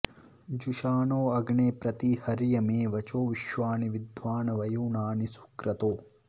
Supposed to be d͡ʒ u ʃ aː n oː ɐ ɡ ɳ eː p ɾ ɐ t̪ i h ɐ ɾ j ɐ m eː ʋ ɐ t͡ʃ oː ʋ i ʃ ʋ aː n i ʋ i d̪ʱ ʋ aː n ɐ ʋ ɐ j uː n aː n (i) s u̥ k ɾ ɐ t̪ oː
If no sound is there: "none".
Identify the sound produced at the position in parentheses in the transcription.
i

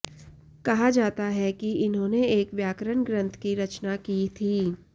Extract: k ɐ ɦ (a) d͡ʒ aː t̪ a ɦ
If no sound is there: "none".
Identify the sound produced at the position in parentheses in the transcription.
a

